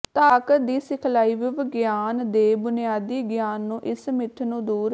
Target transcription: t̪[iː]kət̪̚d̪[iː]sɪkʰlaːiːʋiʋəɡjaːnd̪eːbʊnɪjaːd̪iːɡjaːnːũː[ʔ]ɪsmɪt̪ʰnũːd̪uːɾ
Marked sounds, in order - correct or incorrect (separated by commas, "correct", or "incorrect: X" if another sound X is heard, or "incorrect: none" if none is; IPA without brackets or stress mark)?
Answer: incorrect: aː, correct, correct